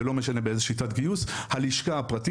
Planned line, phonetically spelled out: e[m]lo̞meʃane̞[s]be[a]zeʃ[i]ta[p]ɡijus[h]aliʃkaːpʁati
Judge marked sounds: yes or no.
no, no, no, yes, no, yes

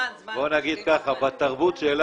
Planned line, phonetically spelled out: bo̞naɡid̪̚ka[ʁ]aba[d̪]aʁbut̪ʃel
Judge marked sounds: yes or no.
no, no

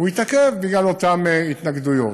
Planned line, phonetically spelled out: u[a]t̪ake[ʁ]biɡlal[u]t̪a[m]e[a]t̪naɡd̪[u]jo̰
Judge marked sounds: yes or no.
no, no, no, yes, no, yes

